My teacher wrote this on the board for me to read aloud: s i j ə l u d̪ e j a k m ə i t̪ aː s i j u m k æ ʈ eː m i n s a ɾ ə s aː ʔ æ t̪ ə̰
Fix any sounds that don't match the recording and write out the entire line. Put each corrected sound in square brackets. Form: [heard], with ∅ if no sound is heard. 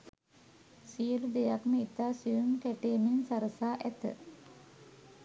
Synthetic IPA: s i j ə l u d̪ e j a k m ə i t̪ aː s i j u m k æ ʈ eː m i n s a ɾ ə s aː ʔ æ t̪ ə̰